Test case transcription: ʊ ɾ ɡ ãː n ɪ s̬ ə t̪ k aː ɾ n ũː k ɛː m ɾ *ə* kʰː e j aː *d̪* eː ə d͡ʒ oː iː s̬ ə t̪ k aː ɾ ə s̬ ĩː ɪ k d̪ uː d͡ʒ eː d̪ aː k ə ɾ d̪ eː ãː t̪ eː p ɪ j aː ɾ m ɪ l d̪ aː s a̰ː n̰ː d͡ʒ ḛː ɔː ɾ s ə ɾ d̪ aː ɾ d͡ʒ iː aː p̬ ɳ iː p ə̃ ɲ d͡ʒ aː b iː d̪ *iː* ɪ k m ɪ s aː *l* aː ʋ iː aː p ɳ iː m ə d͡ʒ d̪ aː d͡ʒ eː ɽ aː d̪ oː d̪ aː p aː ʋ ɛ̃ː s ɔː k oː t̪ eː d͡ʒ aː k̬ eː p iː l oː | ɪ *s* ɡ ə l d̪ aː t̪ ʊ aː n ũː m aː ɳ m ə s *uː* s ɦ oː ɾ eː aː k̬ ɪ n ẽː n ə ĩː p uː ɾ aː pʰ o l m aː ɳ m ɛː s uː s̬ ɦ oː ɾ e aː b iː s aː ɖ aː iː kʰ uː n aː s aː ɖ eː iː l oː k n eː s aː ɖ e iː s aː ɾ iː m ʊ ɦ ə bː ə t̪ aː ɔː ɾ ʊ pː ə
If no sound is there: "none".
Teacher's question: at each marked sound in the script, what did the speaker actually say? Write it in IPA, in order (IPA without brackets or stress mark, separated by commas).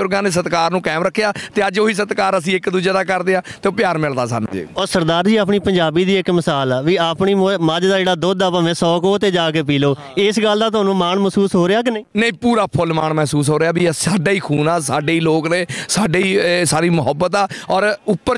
ə, t̪, iː, l, s, uː